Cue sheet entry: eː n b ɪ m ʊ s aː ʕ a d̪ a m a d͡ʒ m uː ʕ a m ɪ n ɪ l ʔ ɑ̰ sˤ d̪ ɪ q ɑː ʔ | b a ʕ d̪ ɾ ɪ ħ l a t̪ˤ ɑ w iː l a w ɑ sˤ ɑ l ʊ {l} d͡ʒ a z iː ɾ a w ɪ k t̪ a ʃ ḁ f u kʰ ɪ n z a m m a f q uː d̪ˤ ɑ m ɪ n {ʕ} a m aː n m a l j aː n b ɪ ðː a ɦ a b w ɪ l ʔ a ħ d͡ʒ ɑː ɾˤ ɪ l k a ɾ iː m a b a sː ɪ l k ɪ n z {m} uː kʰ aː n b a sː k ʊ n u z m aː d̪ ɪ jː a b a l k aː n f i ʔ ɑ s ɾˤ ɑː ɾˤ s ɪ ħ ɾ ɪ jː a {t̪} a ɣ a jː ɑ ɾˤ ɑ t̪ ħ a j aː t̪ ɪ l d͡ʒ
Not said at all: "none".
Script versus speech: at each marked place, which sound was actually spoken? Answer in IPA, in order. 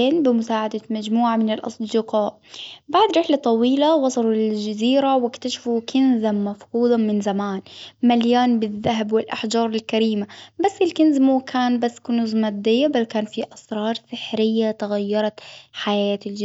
l, z, m, t̪

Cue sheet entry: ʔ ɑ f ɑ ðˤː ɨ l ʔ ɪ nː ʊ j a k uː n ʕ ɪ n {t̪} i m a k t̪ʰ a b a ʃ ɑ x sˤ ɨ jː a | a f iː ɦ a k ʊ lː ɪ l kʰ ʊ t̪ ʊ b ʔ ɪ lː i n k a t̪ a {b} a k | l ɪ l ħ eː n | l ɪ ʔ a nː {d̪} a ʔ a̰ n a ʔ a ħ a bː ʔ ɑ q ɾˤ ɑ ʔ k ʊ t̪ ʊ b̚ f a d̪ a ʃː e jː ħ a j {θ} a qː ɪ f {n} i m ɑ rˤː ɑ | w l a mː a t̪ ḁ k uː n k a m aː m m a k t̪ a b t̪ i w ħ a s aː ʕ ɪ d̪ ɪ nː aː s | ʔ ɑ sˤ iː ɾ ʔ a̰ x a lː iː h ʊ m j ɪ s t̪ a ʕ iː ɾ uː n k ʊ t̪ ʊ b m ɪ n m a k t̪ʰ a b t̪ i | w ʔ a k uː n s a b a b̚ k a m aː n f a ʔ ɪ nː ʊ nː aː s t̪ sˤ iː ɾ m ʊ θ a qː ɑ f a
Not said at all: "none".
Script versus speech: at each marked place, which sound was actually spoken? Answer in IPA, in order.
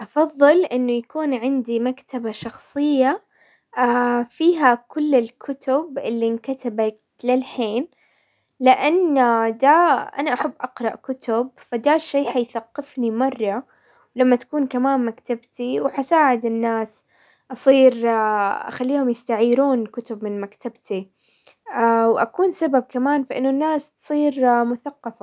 d̪, b, d̪, θ, n

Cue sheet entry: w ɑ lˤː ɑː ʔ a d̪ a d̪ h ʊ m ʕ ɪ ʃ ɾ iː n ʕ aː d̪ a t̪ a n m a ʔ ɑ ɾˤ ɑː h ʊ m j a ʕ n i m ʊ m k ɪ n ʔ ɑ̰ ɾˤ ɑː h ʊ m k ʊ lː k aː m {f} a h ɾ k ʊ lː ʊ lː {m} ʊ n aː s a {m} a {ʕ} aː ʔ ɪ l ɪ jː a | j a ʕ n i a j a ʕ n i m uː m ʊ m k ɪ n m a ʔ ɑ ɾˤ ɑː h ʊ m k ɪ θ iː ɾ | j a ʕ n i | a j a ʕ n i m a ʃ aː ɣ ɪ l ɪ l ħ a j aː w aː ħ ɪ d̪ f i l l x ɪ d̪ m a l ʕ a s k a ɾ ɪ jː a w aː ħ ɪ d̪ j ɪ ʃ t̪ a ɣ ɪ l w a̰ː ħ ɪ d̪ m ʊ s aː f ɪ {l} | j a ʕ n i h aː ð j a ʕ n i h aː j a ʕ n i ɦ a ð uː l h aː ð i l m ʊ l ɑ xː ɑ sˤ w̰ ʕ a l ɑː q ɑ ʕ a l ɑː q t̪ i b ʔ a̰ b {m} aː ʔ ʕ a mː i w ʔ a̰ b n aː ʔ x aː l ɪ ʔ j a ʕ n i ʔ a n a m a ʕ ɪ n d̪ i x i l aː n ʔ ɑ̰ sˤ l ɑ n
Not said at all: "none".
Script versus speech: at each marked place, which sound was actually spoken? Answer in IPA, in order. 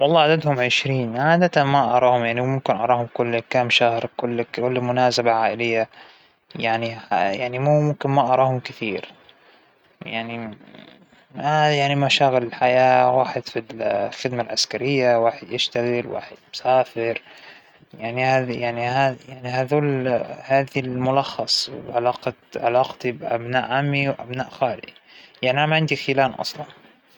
ʃ, m, b, ʕ, ɾ, n

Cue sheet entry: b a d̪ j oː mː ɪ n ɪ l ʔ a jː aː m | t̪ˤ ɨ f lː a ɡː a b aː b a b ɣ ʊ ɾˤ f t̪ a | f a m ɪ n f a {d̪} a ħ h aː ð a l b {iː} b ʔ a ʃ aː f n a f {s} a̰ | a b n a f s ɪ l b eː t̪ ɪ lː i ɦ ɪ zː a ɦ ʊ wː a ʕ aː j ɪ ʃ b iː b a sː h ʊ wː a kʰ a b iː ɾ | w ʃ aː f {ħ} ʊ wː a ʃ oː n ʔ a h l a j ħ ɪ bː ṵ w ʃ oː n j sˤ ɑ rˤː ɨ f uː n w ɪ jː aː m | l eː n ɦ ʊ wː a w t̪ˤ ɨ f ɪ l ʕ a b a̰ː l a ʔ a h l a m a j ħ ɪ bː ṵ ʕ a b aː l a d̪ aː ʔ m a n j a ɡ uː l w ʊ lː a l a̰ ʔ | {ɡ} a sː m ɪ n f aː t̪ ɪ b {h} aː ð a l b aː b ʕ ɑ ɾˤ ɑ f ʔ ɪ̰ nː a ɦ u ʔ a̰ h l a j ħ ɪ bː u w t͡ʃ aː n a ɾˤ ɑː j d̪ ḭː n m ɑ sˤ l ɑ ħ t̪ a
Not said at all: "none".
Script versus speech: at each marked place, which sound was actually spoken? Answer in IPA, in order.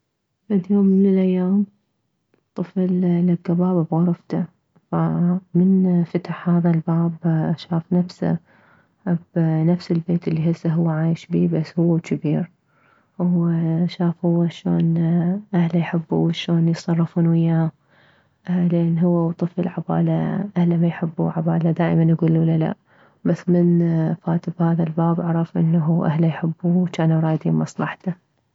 t̪, aː, s, h, b, h

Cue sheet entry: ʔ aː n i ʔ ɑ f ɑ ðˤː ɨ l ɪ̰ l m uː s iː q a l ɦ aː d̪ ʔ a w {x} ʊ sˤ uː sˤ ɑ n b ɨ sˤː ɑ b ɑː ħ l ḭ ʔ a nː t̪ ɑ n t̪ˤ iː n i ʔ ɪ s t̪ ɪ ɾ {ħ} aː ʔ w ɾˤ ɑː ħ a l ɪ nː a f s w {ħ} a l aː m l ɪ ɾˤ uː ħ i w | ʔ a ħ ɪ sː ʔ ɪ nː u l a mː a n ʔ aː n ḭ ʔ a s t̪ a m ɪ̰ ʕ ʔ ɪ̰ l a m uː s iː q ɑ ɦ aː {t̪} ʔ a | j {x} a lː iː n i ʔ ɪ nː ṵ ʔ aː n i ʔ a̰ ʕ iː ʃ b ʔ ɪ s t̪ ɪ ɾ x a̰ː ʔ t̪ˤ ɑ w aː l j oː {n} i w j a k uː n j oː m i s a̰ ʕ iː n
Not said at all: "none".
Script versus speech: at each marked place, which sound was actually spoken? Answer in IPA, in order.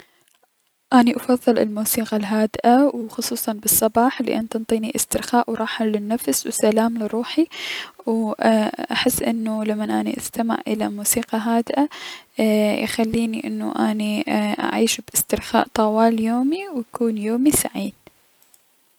x, x, s, d̪, x, m

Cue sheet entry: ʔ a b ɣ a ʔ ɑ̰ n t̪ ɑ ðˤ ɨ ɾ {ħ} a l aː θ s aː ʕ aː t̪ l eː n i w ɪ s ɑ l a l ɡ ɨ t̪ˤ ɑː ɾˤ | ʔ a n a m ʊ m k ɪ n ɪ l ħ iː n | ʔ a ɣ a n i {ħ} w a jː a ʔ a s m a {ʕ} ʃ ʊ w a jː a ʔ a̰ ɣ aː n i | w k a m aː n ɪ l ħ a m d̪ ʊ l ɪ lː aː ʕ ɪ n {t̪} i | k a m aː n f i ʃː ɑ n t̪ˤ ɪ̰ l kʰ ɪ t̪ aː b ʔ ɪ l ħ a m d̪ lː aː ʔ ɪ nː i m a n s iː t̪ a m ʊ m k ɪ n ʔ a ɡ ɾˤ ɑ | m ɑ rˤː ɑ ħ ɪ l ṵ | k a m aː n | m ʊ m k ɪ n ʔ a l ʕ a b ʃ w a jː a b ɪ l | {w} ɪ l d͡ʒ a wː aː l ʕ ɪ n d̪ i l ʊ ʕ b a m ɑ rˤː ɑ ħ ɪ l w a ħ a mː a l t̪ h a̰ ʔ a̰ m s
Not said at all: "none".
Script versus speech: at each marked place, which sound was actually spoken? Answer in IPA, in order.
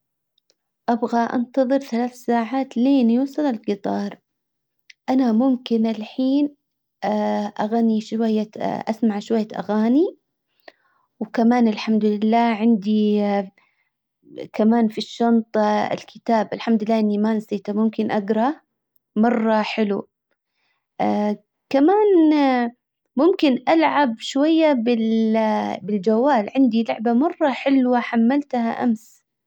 θ, ʃ, ʕ, d̪, b

